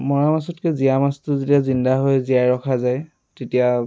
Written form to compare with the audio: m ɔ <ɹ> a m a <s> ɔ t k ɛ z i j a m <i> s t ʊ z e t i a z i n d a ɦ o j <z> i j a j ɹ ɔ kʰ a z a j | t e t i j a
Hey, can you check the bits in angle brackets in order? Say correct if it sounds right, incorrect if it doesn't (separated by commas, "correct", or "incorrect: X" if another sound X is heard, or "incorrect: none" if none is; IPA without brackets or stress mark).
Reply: correct, correct, incorrect: a, correct